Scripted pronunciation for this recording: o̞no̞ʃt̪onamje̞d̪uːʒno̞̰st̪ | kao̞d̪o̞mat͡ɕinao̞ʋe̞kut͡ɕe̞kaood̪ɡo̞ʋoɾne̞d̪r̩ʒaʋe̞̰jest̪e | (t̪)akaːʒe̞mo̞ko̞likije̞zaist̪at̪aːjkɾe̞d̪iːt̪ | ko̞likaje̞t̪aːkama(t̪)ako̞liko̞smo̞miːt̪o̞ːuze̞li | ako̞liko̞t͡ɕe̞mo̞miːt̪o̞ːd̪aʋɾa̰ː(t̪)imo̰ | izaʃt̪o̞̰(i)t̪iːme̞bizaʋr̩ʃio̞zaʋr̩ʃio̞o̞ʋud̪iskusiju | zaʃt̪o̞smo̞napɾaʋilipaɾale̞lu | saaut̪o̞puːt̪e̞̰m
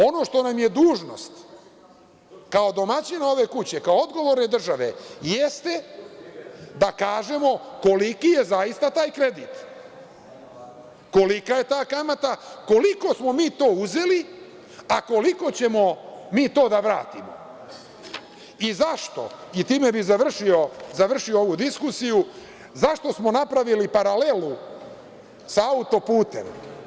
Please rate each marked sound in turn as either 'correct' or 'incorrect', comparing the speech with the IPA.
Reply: incorrect: d̪, correct, correct, correct

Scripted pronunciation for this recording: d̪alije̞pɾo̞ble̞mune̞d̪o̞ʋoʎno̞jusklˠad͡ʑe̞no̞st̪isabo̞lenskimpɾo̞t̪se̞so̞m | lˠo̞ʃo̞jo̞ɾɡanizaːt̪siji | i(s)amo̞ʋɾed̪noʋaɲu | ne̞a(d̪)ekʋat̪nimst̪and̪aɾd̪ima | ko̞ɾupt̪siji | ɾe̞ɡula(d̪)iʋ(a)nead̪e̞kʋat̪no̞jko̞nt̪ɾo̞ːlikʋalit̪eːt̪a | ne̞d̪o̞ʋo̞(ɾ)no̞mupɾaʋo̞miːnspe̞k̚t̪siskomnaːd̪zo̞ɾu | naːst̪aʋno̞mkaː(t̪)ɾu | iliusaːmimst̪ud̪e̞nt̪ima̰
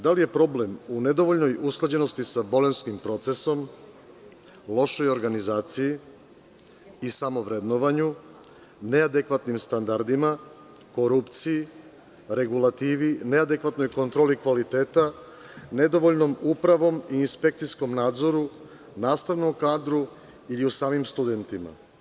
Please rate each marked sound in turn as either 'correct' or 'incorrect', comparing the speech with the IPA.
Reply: correct, correct, incorrect: t̪, incorrect: i, incorrect: ʎ, incorrect: d̪

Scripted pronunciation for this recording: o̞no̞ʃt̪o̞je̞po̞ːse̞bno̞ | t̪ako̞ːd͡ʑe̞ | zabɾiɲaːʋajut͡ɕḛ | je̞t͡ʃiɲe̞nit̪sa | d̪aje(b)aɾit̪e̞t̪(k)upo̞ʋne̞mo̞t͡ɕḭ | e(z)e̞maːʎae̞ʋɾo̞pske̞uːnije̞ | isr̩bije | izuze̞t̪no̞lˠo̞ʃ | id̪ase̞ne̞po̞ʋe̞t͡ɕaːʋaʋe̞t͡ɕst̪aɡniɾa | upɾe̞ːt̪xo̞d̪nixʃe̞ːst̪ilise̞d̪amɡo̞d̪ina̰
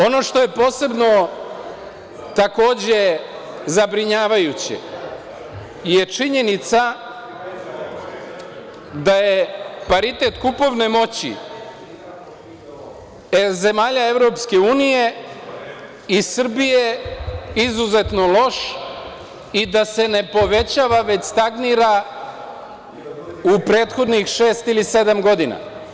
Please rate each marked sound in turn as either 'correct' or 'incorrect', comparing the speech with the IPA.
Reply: incorrect: p, correct, correct

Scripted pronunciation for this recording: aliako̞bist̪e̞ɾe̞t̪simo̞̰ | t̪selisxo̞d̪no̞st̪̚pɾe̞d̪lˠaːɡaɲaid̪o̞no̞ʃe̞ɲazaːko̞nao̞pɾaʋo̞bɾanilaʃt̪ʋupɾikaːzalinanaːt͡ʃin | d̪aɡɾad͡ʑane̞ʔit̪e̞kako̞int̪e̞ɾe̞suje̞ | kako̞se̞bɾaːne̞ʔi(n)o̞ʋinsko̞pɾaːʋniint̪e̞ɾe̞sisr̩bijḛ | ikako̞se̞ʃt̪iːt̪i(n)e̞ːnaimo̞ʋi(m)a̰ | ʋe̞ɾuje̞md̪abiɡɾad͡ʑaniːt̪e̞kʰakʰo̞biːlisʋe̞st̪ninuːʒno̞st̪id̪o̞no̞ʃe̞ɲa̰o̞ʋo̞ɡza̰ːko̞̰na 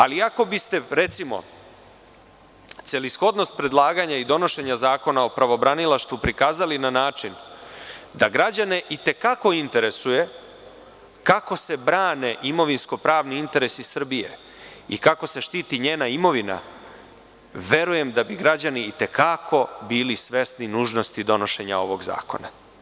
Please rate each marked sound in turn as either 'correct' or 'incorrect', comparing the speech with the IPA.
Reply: incorrect: m, incorrect: ɲ, incorrect: n

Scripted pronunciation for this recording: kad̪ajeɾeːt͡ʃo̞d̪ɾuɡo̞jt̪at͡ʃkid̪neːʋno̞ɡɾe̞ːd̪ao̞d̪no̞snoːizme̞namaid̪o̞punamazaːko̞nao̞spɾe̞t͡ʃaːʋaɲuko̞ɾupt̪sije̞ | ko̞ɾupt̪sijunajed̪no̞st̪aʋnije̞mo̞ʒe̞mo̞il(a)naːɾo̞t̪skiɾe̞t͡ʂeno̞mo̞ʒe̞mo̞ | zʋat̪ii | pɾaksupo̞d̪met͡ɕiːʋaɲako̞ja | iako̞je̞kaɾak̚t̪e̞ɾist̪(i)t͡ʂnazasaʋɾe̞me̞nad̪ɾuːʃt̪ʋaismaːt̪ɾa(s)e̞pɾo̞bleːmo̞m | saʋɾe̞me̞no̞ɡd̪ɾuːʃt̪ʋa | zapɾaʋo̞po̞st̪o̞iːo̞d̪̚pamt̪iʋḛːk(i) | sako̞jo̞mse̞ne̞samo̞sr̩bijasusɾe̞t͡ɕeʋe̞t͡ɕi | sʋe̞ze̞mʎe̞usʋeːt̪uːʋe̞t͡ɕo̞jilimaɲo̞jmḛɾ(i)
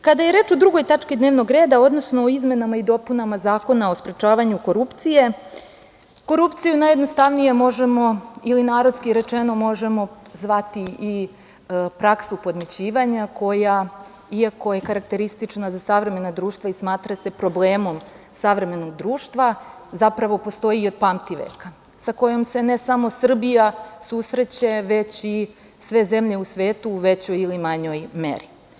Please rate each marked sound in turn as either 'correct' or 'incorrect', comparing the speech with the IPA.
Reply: incorrect: i, correct, correct, incorrect: a, correct

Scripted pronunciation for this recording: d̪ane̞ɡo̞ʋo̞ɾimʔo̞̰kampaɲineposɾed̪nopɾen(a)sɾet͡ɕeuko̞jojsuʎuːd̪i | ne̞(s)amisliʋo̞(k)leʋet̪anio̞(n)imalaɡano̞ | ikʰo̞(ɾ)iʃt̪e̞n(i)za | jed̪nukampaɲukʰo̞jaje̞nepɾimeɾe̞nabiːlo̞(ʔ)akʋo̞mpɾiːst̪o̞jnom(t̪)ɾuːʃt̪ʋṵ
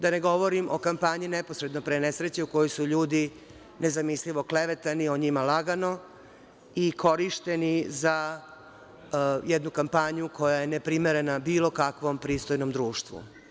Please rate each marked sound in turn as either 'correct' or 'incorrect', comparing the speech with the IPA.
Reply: incorrect: e, incorrect: z, correct, incorrect: ɲ, correct, correct, incorrect: k, incorrect: d̪

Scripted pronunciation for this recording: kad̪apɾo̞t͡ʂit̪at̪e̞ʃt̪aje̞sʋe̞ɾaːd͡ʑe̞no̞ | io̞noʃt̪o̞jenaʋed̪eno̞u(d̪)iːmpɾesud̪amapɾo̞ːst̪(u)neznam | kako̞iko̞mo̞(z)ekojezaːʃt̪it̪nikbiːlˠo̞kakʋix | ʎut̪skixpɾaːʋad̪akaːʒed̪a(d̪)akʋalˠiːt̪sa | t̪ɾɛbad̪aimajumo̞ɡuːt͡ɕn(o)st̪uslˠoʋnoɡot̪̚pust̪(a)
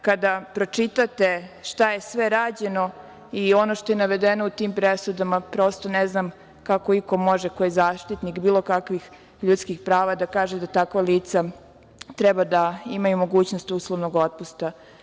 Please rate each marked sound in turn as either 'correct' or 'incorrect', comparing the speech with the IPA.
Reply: incorrect: t̪, incorrect: o, incorrect: ʒ, incorrect: t̪, correct, correct

